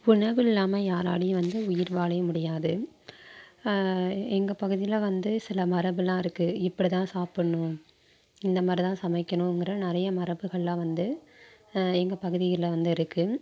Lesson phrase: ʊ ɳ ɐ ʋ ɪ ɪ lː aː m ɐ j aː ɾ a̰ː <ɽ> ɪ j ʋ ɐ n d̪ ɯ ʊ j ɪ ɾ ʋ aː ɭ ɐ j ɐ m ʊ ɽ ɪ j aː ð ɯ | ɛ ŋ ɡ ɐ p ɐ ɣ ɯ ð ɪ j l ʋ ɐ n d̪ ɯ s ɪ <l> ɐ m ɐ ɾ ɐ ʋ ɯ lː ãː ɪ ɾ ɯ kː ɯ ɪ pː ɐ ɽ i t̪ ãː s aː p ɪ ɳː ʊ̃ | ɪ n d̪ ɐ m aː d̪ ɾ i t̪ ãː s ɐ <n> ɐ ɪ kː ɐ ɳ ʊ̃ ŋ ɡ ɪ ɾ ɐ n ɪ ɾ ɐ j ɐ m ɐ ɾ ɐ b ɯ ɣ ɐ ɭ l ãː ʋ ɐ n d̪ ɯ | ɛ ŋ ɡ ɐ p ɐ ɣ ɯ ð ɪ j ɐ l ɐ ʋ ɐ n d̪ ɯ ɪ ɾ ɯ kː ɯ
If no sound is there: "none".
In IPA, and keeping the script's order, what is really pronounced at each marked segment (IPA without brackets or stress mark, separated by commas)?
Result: ɽ, l, m